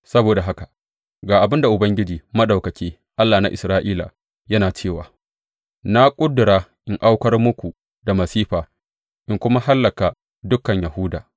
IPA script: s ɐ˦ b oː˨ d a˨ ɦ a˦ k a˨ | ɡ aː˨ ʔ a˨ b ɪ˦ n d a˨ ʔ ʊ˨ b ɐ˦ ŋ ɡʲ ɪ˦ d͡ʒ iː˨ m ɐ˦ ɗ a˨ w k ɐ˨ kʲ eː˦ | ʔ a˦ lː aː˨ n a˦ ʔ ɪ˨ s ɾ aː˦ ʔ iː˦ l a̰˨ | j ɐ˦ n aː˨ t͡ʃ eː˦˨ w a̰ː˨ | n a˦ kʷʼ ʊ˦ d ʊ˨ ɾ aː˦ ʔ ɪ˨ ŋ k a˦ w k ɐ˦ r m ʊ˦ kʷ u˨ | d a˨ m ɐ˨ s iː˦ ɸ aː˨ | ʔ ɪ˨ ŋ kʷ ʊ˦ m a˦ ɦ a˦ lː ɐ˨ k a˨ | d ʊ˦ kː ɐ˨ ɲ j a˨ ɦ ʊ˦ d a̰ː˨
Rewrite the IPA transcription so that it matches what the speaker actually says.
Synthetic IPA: s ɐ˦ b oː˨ d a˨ ɦ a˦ k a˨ | ɡ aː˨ ʔ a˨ b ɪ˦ n d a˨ ʔ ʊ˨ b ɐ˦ ŋ ɡʲ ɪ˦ d͡ʒ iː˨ m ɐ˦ ɗ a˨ w k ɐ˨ kʲ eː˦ | ʔ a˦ lː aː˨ n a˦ ʔ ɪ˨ s ɾ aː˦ ʔ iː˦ l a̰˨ | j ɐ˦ n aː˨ t͡ʃ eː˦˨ w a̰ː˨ | n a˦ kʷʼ ʊ˦ d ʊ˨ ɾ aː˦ ʔ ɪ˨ ŋ ʔ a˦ w k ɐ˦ r m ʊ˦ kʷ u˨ | d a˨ m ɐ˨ s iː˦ ɸ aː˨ | ʔ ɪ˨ ŋ kʷ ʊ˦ m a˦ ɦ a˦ lː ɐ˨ k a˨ | d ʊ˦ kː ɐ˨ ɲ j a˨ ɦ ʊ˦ d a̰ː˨